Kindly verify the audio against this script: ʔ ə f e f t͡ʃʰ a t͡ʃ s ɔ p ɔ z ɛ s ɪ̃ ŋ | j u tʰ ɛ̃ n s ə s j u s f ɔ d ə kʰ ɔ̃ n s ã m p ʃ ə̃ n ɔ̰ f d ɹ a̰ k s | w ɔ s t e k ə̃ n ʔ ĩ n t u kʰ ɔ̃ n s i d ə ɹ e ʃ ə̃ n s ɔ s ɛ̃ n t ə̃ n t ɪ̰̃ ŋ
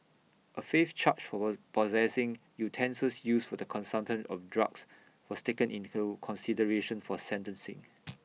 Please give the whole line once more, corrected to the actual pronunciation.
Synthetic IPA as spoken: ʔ ə f e f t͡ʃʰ a t͡ʃ f ɔ p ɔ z ɛ s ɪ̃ ŋ | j u tʰ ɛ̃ n s ə s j u s f ɔ d ə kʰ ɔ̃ n s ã m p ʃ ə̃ n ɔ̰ f d ɹ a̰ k s | w ɔ s t e k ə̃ n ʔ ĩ n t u kʰ ɔ̃ n s i d ə ɹ e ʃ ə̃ n f ɔ s ɛ̃ n t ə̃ n s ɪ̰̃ ŋ